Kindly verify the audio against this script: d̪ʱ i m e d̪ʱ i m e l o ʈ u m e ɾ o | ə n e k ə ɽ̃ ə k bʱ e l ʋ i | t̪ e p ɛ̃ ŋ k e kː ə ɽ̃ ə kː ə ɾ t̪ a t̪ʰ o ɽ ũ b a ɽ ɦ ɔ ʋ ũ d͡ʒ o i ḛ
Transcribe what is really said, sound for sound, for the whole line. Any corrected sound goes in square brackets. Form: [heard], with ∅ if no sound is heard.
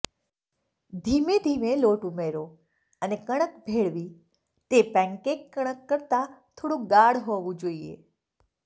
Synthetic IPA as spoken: d̪ʱ i m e d̪ʱ i m e l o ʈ u m e ɾ o | ə n e k ə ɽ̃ ə k bʱ e [ɭ] ʋ i | t̪ e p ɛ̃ ŋ k e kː ə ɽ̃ ə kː ə ɾ t̪ a t̪ʰ o ɽ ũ [ɡ] a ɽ ɦ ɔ ʋ ũ d͡ʒ o i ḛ